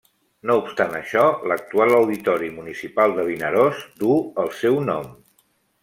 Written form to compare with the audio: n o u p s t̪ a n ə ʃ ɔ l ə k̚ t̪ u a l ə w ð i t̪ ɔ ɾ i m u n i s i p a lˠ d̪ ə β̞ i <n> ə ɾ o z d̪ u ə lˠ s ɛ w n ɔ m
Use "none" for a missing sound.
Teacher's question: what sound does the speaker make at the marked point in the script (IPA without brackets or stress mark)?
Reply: n